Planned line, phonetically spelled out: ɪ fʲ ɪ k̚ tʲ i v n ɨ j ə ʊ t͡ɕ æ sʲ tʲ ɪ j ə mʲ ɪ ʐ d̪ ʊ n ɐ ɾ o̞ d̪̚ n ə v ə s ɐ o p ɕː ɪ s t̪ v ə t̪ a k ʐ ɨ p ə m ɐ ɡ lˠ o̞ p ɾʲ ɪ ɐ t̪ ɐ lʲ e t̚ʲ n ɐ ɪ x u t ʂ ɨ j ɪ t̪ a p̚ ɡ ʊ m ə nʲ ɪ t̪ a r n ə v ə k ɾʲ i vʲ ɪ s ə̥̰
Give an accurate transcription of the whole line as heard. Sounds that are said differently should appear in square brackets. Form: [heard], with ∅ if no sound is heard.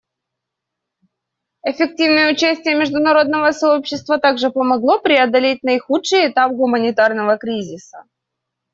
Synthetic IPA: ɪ fʲ ɪ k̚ tʲ i v n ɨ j ə ʊ t͡ɕ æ sʲ tʲ ɪ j ə mʲ ɪ ʐ d̪ ʊ n ɐ ɾ o̞ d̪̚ n ə v ə s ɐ o p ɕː ɪ s t̪ v ə t̪ a [ɡ] ʐ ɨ p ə m ɐ ɡ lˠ o̞ p ɾʲ ɪ ɐ [d̪] ɐ lʲ e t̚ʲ n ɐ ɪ x u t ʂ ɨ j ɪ t̪ a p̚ ɡ ʊ m ə nʲ ɪ t̪ a r n ə v ə k ɾʲ i [zʲ] ɪ s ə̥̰